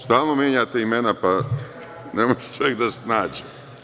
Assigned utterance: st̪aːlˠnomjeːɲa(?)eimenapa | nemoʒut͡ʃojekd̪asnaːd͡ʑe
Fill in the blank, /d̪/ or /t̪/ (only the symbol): t̪